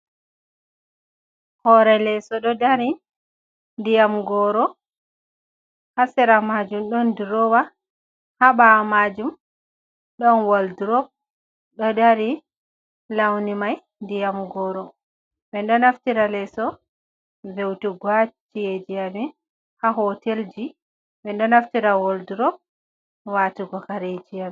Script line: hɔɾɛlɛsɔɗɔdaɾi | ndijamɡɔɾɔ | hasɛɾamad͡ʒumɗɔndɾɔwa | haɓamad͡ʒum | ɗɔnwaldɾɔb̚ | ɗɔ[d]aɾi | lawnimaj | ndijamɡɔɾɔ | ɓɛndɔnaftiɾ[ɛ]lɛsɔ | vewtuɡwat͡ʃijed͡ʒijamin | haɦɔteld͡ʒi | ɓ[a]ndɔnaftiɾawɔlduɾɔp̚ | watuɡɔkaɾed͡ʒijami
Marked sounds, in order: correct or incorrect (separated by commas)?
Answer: correct, incorrect, incorrect